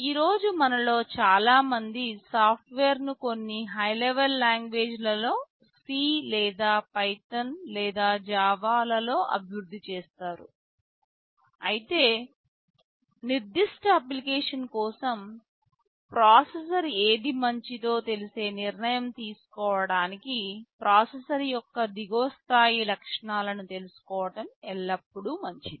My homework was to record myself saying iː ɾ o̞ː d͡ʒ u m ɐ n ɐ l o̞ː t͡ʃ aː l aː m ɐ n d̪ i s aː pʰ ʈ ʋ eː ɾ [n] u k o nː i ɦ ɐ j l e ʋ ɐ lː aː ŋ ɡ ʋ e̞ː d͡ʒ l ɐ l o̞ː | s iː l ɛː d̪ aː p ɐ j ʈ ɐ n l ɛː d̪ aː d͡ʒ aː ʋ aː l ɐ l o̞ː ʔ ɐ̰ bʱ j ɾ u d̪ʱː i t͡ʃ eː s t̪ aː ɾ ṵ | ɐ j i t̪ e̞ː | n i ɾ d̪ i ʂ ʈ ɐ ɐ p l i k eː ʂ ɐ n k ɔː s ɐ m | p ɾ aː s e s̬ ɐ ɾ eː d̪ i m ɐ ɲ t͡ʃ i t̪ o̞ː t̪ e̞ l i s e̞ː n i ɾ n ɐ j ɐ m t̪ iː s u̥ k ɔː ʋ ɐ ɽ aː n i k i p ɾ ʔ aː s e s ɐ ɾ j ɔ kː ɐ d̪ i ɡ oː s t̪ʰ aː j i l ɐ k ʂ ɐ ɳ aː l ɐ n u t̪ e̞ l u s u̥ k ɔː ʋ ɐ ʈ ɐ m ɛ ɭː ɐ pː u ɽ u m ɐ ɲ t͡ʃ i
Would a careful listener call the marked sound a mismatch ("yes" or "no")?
no